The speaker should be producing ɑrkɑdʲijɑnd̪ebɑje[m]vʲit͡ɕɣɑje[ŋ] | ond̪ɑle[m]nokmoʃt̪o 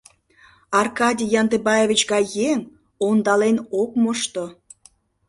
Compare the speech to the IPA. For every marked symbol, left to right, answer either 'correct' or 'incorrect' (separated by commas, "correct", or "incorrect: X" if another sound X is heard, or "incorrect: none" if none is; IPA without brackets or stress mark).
incorrect: none, correct, incorrect: none